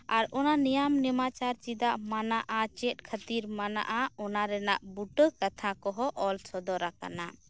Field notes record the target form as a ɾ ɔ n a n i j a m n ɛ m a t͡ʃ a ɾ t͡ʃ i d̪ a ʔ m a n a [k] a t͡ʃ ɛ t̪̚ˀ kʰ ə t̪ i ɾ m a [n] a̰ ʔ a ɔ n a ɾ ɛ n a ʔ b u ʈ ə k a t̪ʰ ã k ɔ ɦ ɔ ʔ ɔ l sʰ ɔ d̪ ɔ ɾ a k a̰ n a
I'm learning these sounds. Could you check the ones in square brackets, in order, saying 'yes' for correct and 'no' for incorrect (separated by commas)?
no, yes